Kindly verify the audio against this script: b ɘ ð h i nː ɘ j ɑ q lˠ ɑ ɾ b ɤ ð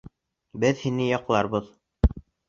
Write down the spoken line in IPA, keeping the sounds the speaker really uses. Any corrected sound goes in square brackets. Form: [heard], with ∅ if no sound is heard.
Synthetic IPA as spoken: b ɘ ð h i [n] ɘ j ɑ q lˠ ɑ ɾ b ɤ ð